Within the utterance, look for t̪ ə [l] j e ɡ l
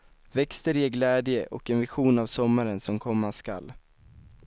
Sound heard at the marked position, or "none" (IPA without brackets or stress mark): ɾ